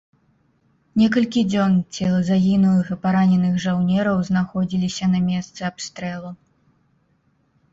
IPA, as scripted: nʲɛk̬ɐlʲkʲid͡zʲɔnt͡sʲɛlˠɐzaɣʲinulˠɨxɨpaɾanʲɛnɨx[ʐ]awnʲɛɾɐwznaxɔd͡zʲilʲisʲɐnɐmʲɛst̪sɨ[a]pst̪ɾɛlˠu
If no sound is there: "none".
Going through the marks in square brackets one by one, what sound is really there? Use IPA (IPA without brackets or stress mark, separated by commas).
ʐ, a